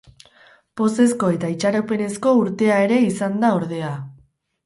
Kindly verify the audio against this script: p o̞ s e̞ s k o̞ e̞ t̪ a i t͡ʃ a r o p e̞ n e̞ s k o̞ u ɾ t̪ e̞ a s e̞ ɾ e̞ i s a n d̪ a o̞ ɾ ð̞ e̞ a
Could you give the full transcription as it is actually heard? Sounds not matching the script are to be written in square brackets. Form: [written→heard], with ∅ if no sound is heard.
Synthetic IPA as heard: p o̞ s e̞ s k o̞ e̞ t̪ a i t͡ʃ a [r→ɾ] o p e̞ n e̞ s k o̞ u ɾ t̪ e̞ a [s→∅] e̞ ɾ e̞ i s a n d̪ a o̞ ɾ ð̞ e̞ a

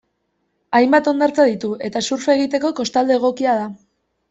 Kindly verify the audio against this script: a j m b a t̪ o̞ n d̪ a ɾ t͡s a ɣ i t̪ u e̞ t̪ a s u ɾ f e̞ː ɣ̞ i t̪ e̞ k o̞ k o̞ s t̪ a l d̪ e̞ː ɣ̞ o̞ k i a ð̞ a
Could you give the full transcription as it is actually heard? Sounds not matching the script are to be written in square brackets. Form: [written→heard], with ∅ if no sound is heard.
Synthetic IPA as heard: a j m b a t̪ o̞ n d̪ a ɾ t͡s a [ɣ→ð] i t̪ u e̞ t̪ a s u ɾ f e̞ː ɣ̞ i t̪ e̞ k o̞ k o̞ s t̪ a l d̪ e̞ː ɣ̞ o̞ k i a ð̞ a

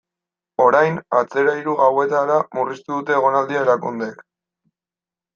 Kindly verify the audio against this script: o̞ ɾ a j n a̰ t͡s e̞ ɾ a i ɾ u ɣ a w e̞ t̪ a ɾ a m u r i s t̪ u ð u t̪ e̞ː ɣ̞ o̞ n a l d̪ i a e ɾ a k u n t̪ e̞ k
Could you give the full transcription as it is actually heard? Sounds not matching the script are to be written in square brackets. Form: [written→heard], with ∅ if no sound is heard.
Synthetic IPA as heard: o̞ ɾ a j n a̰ t͡s e̞ ɾ a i ɾ u ɣ a w e̞ t̪ a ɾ a m u r i s t̪ u ð u t̪ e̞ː ɣ̞ o̞ n a l d̪ i a e ɾ a k u n [t̪→d̪] e̞ k

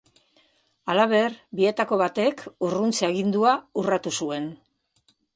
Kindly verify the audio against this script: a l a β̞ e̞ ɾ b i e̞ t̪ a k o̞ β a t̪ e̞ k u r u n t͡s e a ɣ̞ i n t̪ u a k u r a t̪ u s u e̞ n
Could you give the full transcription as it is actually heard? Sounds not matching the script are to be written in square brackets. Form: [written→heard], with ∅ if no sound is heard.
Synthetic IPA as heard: a l a β̞ e̞ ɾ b i e̞ t̪ a k o̞ β a t̪ e̞ k u r u n t͡s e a ɣ̞ i n [t̪→d̪] u a [k→∅] u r a t̪ u s u e̞ n

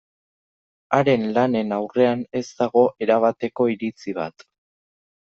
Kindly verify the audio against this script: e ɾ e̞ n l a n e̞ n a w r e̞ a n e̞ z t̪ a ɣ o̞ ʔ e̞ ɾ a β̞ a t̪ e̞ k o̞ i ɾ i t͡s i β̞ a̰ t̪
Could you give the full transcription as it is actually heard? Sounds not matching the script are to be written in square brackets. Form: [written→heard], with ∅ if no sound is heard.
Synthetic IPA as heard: [e→a] ɾ e̞ n l a n e̞ n a w r e̞ a n e̞ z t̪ a ɣ o̞ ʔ e̞ ɾ a β̞ a t̪ e̞ k o̞ i ɾ i t͡s i β̞ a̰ t̪

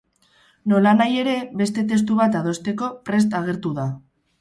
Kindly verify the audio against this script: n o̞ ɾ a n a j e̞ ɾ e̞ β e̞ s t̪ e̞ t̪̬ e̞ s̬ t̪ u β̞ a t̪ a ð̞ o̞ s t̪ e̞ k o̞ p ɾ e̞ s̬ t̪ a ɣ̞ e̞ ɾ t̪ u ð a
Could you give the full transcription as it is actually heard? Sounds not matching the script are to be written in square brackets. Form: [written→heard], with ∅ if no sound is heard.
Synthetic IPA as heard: n o̞ [ɾ→l] a n a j e̞ ɾ e̞ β e̞ s t̪ e̞ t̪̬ e̞ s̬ t̪ u β̞ a t̪ a ð̞ o̞ s t̪ e̞ k o̞ p ɾ e̞ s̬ t̪ a ɣ̞ e̞ ɾ t̪ u ð a

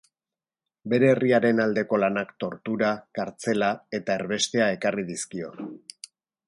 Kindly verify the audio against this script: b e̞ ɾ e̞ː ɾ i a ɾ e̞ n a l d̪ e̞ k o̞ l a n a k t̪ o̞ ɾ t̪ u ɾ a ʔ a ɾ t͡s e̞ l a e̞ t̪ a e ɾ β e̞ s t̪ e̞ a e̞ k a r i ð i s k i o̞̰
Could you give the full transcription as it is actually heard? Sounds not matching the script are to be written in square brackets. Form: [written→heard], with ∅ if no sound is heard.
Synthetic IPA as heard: b e̞ ɾ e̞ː [ɾ→r] i a ɾ e̞ n a l d̪ e̞ k o̞ l a n a k t̪ o̞ ɾ t̪ u ɾ a [ʔ→k] a ɾ t͡s e̞ l a e̞ t̪ a e ɾ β e̞ s t̪ e̞ a e̞ k a r i ð i s k i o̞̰

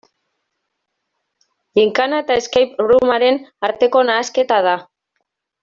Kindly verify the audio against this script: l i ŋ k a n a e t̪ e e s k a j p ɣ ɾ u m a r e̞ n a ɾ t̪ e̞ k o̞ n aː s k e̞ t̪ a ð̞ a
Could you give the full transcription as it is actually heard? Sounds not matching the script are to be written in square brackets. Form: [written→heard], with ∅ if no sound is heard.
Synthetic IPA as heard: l i ŋ k a n a e t̪ [e→a] e s k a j p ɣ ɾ u m a [r→ɾ] e̞ n a ɾ t̪ e̞ k o̞ n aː s k e̞ t̪ a ð̞ a

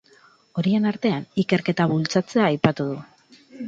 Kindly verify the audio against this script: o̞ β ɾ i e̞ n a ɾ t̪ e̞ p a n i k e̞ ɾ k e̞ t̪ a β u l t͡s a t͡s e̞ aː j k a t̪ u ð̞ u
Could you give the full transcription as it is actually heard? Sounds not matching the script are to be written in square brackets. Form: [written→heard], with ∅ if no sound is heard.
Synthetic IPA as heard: o̞ [β→∅] ɾ i e̞ n a ɾ t̪ e̞ [p→∅] a n i k e̞ ɾ k e̞ t̪ a β u l t͡s a t͡s e̞ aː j [k→p] a t̪ u ð̞ u

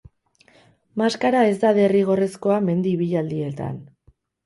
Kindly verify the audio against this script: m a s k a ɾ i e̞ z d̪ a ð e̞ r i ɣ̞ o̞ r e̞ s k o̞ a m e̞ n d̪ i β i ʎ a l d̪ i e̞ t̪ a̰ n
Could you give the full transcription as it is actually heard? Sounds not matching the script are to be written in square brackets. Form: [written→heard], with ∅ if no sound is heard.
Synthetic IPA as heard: m a s k a ɾ [i→a] e̞ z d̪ a ð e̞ r i ɣ̞ o̞ r e̞ s k o̞ a m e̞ n d̪ i β i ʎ a l d̪ i e̞ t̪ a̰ n

